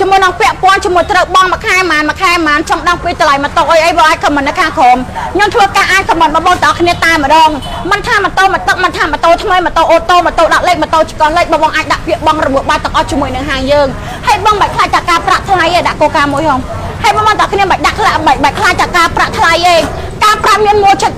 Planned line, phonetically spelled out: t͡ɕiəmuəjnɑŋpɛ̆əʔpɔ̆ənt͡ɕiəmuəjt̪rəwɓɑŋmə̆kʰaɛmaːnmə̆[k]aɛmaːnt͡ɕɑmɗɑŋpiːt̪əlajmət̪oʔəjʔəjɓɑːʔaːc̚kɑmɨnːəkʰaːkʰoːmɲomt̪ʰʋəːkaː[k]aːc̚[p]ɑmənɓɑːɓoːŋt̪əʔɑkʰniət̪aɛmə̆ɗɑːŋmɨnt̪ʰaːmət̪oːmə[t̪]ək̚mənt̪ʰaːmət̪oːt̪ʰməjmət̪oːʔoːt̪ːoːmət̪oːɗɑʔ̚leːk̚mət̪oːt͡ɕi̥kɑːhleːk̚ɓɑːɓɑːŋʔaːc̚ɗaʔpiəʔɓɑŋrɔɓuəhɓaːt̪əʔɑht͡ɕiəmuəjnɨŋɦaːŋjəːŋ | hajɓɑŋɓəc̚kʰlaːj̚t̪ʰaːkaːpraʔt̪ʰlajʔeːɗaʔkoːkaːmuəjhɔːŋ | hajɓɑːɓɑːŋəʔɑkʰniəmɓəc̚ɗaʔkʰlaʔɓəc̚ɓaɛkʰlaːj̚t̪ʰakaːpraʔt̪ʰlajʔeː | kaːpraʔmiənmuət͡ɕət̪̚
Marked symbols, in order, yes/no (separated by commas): no, no, no, yes